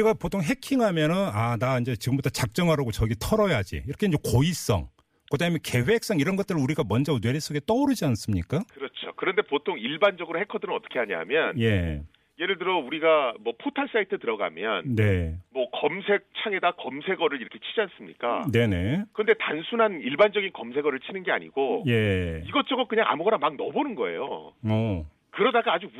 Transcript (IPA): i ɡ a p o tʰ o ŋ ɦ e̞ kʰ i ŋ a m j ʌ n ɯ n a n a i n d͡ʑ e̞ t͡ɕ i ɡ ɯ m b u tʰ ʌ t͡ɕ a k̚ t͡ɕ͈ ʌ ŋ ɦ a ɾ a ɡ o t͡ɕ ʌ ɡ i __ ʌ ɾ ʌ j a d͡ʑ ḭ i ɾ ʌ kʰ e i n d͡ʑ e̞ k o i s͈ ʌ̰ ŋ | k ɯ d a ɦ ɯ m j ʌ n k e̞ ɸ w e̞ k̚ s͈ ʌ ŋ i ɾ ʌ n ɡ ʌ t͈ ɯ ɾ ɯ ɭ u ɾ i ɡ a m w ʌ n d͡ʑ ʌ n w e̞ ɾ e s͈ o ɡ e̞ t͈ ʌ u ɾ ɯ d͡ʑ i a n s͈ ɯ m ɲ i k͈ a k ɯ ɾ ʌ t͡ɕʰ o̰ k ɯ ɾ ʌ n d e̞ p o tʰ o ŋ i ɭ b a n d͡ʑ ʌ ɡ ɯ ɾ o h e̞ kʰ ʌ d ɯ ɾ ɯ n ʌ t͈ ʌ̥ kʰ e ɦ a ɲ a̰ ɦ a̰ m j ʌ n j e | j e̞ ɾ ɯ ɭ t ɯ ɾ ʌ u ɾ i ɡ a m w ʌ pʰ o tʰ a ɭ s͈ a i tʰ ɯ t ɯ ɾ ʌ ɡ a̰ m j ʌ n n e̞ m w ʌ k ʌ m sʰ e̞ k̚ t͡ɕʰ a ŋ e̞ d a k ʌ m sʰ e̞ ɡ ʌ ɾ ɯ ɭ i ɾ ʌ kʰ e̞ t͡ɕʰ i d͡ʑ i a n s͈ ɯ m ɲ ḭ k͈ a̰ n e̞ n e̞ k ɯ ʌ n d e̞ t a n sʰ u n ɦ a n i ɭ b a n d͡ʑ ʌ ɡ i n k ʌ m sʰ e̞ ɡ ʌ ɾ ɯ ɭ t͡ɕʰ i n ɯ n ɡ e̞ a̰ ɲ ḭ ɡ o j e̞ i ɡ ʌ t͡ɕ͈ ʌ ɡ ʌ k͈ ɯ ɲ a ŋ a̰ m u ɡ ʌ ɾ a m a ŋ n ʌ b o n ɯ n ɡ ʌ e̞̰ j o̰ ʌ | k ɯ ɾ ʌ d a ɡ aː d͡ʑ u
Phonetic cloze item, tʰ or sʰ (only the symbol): tʰ